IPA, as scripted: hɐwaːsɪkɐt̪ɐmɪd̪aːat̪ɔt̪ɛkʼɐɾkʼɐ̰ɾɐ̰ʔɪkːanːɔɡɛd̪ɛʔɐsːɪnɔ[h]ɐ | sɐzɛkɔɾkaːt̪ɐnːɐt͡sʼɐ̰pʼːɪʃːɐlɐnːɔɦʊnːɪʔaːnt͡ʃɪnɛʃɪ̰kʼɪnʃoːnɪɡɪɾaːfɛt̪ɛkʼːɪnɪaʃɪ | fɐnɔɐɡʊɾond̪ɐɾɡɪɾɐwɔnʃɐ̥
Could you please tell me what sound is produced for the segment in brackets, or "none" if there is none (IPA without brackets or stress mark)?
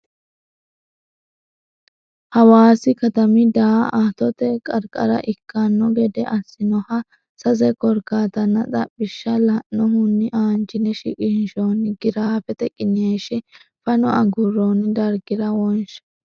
h